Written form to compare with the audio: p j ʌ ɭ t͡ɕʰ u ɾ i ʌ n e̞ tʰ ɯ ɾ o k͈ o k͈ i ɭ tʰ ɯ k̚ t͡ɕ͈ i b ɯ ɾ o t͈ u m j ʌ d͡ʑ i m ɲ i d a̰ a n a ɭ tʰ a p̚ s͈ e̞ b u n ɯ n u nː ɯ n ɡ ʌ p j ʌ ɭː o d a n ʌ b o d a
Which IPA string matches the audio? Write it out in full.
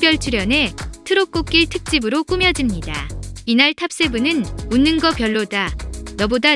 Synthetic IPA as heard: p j ʌ ɭ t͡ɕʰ u ɾ j ʌ n e̞ tʰ ɯ ɾ o k͈ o k͈ i ɭ tʰ ɯ k̚ t͡ɕ͈ i b ɯ ɾ o k͈ u m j ʌ d͡ʑ i m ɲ i d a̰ i n a ɭ tʰ a p̚ s͈ e̞ b u n ɯ n u nː ɯ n ɡ ʌ p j ʌ ɭː o d a n ʌ b o d a